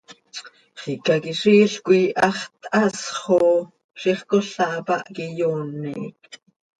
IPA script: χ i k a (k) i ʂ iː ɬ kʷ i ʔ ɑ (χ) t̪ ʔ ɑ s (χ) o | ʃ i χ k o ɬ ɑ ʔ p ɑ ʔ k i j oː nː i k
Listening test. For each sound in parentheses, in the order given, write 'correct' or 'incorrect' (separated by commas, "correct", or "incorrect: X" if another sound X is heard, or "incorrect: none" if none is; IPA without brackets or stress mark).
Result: correct, correct, correct